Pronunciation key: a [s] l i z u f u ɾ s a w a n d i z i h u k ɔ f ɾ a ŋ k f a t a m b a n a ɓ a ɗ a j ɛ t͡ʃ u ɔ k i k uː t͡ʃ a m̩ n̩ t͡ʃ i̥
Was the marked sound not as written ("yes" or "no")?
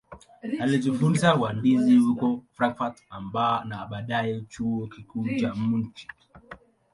yes